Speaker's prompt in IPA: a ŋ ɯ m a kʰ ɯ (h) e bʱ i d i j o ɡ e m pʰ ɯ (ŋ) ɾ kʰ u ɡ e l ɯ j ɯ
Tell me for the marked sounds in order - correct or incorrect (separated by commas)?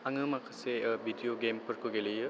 incorrect, incorrect